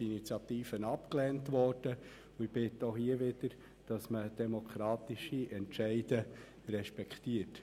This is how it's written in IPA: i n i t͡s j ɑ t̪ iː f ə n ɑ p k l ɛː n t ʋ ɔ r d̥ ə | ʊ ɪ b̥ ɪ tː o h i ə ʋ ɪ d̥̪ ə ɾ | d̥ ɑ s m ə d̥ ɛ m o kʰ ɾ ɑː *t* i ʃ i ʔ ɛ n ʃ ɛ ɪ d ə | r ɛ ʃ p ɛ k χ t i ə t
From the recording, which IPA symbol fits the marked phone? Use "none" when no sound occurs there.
t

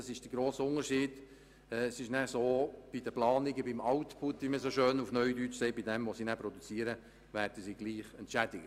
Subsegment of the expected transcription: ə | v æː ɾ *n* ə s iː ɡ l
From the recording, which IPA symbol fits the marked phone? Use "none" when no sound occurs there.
d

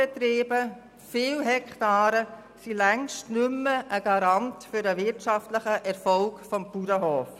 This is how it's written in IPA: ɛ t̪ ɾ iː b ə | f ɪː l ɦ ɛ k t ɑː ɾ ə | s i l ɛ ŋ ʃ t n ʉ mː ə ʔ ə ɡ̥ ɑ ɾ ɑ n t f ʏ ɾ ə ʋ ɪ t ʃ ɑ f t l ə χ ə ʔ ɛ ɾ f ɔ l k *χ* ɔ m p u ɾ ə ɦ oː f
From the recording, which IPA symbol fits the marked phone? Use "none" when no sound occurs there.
f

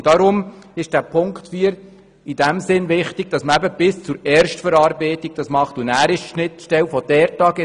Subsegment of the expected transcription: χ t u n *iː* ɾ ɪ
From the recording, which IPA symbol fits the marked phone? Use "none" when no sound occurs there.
æː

